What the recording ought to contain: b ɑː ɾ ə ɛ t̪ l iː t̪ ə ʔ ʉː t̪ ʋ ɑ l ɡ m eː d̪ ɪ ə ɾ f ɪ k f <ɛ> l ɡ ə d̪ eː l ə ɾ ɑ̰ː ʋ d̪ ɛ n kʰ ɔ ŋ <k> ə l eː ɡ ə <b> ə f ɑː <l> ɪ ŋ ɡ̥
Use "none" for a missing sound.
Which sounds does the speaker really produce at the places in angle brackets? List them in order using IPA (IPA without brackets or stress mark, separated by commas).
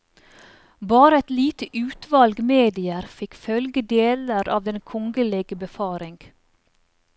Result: œ, ɡ, b, ɾ